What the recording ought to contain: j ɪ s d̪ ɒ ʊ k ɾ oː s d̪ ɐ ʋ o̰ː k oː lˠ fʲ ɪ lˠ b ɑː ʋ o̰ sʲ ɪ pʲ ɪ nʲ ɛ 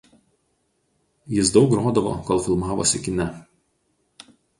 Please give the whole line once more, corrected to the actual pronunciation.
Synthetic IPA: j ɪ s d̪ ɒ ʊ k ɾ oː d̪ ɐ ʋ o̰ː k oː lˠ fʲ ɪ lˠ m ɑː ʋ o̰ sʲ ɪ kʲ ɪ nʲ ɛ